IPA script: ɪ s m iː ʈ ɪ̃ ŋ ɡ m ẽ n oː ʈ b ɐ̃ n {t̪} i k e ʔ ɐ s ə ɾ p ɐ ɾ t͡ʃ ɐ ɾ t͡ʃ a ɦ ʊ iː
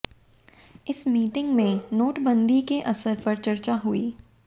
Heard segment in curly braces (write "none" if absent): d̪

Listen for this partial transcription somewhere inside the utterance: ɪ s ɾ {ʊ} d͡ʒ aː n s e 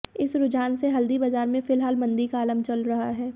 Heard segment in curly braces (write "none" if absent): ʊ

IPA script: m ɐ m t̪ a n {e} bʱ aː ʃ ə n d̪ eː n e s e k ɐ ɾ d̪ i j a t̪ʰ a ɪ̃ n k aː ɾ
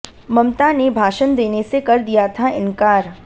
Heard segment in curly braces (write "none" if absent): e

